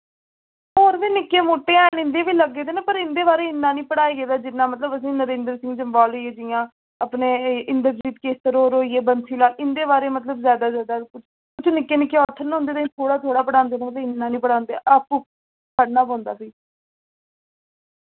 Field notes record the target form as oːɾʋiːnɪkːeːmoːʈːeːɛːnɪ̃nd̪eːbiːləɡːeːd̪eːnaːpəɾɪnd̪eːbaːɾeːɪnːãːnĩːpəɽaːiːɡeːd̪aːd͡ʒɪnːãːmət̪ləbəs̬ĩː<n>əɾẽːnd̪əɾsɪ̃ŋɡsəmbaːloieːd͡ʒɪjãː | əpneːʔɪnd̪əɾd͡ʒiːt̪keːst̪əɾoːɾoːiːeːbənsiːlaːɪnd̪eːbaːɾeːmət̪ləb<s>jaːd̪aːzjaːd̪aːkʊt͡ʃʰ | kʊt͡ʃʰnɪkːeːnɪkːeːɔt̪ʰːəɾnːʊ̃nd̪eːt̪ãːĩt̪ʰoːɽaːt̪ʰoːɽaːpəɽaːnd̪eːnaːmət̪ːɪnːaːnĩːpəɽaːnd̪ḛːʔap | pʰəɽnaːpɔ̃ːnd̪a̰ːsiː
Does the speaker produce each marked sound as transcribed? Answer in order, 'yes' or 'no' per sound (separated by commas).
yes, no